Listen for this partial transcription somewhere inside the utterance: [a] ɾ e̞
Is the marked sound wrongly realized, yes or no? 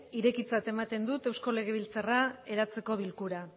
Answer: yes